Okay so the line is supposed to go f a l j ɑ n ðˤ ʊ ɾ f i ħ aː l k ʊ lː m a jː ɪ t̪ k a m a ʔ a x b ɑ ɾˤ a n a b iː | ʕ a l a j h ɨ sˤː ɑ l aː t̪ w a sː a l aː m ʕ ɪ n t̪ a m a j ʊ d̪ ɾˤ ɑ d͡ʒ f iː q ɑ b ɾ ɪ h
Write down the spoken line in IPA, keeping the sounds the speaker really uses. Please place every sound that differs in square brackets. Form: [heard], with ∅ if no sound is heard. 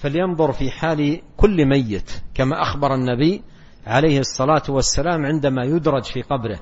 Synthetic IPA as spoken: f a l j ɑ n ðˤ ʊ ɾ f i ħ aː l k ʊ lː m a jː ɪ t̪ k a m a ʔ a x b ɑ ɾˤ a [nː] a b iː | ʕ a l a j h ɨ sˤː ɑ l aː t̪ w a sː a l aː m ʕ ɪ n [d̪] a m a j ʊ d̪ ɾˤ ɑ d͡ʒ f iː q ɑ b ɾ ɪ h